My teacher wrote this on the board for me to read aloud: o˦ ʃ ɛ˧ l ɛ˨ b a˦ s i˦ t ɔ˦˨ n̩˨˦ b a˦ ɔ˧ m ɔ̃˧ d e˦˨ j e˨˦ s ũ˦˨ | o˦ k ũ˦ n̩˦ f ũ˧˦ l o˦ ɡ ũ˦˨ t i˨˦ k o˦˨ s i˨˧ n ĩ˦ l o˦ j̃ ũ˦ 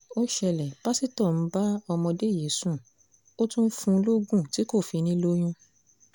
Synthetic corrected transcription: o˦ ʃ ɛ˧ l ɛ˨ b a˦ s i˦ t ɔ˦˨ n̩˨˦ b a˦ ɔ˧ m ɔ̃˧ d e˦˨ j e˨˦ s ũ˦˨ | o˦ t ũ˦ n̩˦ f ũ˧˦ l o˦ ɡ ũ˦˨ t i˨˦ k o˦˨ f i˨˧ n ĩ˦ l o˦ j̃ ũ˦